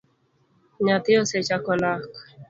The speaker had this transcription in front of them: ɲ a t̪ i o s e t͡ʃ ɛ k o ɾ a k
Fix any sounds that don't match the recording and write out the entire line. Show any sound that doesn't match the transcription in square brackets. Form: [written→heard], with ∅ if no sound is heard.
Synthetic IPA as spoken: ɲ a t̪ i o s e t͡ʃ [ɛ→a] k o [ɾ→l] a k